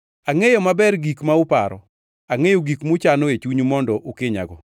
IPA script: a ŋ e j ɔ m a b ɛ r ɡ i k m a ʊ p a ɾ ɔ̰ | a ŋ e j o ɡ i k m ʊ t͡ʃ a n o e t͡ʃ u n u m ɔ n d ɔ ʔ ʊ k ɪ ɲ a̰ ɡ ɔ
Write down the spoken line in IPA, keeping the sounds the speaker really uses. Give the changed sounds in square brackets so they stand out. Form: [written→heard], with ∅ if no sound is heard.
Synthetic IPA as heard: a ŋ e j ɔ m a b ɛ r ɡ i k m a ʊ p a ɾ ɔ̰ | a ŋ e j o ɡ i k m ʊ t͡ʃ a n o e t͡ʃ u [n→ɲ] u m ɔ n d ɔ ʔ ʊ k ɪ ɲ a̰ ɡ ɔ